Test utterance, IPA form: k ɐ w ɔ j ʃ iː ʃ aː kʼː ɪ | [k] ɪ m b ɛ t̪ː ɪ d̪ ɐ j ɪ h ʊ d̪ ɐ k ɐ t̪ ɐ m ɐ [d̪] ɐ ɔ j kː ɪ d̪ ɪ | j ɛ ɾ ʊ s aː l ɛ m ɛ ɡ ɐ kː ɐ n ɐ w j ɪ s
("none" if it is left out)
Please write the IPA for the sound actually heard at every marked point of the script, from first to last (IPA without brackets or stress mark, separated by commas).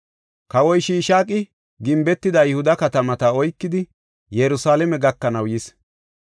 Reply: ɡ, t̪